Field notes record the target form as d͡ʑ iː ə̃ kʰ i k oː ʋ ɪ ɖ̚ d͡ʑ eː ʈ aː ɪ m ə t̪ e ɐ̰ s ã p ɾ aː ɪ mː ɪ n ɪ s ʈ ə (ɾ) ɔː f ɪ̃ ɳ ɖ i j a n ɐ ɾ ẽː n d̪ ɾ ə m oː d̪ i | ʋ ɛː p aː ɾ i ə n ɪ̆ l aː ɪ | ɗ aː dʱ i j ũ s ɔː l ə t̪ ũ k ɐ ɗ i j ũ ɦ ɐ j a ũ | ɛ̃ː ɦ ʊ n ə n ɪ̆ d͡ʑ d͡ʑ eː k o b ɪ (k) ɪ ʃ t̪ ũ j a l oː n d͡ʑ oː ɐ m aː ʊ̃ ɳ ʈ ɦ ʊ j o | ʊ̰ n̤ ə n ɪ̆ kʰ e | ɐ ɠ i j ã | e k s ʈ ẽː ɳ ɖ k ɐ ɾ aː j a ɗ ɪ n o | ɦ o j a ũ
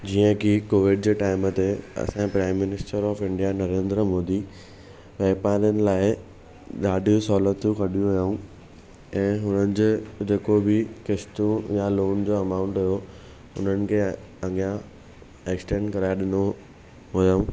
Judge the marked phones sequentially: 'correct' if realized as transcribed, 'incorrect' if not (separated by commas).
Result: correct, correct